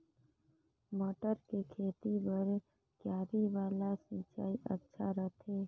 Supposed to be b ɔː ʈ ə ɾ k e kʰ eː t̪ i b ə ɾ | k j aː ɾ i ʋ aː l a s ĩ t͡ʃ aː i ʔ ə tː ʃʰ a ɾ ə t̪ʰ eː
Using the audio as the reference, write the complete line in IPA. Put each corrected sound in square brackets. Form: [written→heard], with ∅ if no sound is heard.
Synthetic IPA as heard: [b→m] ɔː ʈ ə ɾ k e kʰ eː t̪ i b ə ɾ | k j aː ɾ i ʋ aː l a s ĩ t͡ʃ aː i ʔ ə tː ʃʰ a ɾ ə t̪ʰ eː